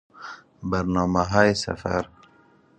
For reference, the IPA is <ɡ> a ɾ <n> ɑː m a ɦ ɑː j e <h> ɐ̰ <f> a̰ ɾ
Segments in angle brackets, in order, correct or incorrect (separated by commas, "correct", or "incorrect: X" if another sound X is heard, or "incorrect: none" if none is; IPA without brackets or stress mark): incorrect: b, correct, incorrect: s, correct